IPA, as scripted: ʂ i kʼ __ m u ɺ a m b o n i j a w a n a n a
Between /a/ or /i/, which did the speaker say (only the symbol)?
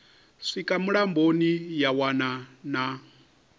a